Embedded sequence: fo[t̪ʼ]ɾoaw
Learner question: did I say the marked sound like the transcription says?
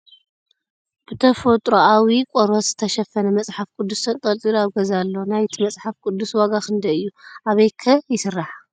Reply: yes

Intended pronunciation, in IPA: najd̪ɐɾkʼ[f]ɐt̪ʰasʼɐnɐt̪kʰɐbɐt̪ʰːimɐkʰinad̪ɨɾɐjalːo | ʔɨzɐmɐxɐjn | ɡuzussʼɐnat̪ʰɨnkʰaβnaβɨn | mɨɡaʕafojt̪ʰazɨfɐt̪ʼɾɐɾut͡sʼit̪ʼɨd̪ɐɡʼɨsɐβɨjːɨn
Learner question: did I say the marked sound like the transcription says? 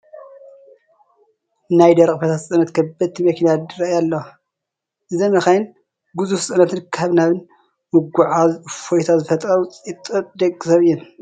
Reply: yes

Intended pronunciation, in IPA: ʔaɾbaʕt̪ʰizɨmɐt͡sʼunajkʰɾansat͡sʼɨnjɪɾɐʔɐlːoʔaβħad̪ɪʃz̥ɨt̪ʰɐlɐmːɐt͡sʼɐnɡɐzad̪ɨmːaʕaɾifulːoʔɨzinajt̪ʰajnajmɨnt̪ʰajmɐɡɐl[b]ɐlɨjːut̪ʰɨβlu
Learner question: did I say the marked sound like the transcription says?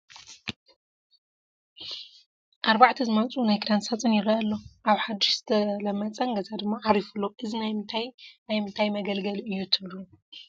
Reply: no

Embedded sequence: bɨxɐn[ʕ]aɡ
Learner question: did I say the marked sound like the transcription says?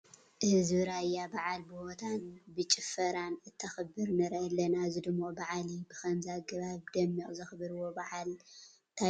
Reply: no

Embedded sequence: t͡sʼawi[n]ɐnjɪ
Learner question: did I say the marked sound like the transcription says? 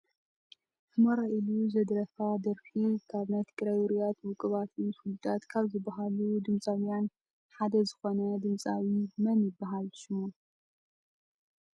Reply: no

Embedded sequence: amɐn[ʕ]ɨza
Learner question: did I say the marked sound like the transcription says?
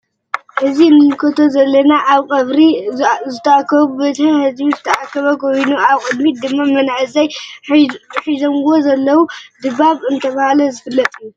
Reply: yes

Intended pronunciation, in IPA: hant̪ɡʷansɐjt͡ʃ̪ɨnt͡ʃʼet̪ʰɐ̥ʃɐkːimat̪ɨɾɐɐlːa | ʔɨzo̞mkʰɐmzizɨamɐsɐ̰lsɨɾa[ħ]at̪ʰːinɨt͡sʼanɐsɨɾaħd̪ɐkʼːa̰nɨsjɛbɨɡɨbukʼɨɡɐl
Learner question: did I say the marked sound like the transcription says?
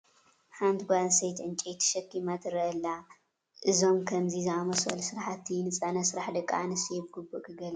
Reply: yes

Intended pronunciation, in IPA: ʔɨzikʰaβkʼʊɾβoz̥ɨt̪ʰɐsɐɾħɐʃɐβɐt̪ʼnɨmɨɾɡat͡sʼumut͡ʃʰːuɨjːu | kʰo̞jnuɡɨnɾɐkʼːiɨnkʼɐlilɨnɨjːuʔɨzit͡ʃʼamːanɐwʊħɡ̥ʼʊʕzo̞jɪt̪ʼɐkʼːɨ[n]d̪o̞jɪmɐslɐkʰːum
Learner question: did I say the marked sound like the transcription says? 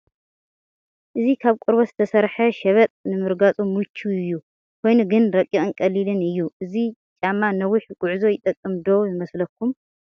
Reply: no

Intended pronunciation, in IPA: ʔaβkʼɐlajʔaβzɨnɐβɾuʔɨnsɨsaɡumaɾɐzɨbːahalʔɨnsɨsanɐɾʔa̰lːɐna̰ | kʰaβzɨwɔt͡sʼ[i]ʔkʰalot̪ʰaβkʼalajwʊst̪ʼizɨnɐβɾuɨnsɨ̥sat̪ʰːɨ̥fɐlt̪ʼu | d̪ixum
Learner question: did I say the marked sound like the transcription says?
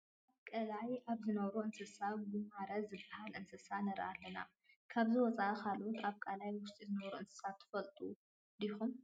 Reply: no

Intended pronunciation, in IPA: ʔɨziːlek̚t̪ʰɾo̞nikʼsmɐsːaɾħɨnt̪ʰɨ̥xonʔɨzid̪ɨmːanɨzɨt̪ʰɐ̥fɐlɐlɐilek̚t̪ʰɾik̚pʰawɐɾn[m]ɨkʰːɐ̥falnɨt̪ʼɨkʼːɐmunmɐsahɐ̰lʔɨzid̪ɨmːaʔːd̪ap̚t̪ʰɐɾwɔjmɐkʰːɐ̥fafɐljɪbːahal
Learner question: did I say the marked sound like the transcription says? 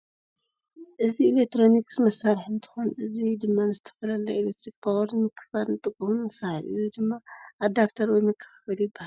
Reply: yes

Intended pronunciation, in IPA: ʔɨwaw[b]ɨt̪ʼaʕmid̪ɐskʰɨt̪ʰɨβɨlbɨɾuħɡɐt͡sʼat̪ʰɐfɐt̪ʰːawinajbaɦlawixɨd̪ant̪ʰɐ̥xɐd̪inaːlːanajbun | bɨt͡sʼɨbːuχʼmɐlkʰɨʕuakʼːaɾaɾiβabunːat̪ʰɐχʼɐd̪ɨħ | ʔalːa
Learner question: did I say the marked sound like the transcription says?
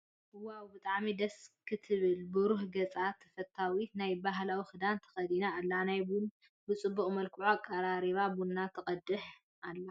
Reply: yes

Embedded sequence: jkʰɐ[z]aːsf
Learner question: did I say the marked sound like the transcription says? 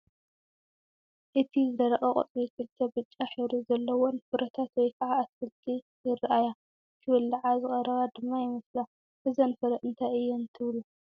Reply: no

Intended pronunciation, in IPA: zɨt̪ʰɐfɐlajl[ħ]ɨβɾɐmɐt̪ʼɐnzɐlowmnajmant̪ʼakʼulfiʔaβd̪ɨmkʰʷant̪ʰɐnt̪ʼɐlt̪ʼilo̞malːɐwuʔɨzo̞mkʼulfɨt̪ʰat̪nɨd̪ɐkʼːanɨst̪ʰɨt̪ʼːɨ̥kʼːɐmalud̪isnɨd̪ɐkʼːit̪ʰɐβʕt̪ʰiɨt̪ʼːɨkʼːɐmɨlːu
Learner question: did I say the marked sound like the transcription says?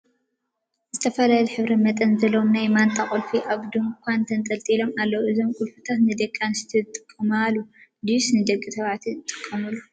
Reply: yes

